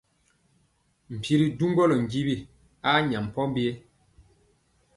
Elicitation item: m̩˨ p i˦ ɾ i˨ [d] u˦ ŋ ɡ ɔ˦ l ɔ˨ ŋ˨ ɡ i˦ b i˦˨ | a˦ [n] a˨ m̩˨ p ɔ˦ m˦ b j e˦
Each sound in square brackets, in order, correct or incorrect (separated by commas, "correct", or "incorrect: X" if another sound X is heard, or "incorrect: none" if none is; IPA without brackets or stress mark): correct, incorrect: ɲ